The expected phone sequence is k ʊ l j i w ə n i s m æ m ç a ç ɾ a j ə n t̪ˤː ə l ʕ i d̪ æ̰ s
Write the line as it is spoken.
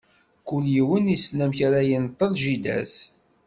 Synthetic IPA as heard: k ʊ l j i w ə n i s n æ m ç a ɾ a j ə n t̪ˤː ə l ʒ i d̪ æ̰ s